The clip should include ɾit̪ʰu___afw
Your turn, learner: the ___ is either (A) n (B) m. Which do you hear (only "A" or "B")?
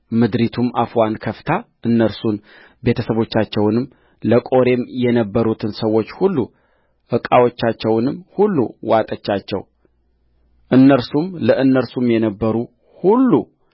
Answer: B